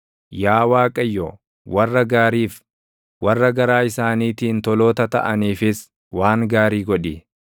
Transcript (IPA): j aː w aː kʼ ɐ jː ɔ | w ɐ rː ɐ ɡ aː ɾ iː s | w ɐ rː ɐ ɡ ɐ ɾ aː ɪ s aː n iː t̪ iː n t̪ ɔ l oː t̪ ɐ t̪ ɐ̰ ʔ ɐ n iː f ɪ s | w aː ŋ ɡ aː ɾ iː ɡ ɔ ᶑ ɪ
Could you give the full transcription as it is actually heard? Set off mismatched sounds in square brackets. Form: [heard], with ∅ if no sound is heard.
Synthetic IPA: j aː w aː kʼ ɐ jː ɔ | w ɐ rː ɐ ɡ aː ɾ iː [f] | w ɐ rː ɐ ɡ ɐ ɾ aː ɪ s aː n iː t̪ iː n t̪ ɔ l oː t̪ ɐ t̪ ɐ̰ ʔ ɐ n iː f ɪ s | w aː ŋ ɡ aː ɾ iː ɡ ɔ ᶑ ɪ